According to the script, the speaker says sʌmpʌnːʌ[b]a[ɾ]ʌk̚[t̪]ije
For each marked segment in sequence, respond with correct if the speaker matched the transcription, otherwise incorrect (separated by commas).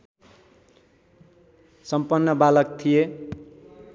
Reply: correct, incorrect, incorrect